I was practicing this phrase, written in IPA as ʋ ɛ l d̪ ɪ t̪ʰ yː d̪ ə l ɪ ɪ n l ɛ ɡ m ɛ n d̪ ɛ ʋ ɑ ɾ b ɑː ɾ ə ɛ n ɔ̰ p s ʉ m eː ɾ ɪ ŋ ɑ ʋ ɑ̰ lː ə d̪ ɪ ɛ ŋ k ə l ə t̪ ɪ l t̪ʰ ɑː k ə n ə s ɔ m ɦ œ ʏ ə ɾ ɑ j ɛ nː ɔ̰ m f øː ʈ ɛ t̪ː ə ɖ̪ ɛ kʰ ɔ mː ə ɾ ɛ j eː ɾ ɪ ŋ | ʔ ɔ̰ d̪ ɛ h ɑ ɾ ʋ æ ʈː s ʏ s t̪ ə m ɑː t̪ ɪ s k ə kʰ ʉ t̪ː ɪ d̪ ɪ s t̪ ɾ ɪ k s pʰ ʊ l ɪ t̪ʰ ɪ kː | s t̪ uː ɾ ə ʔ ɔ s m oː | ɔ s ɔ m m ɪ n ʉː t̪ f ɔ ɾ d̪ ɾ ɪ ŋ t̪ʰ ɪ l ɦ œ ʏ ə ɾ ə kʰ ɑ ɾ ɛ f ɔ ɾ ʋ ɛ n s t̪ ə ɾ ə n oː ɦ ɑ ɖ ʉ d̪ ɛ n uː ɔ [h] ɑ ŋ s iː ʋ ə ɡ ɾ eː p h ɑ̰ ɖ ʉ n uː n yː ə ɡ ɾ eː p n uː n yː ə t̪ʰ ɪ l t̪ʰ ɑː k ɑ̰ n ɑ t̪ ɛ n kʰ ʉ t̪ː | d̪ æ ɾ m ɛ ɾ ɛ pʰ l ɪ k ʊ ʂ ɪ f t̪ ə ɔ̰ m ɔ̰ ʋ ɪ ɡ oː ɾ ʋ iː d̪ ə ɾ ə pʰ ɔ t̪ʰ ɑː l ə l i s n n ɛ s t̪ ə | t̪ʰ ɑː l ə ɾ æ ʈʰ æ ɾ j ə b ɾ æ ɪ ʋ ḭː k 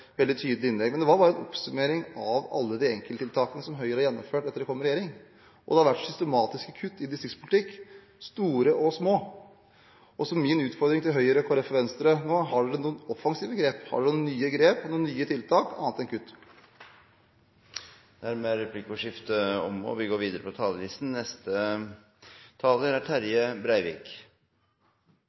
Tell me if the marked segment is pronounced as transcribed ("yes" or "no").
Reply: no